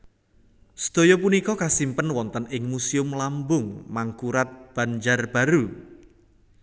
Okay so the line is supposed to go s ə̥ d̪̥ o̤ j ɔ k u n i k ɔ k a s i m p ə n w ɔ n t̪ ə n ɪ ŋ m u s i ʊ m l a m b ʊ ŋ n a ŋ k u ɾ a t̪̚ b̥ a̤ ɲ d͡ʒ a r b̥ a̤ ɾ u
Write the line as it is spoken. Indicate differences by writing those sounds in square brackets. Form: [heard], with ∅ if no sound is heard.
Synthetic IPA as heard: s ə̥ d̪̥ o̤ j ɔ [p] u n i k ɔ k a s i m p ə n w ɔ n t̪ ə n ɪ ŋ m u s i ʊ m l a m b ʊ ŋ [m] a ŋ k u ɾ a t̪̚ b̥ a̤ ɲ d͡ʒ a r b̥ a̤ ɾ u